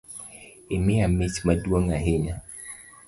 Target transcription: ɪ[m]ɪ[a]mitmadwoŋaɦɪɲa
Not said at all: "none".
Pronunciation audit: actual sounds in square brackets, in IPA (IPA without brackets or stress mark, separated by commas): m, a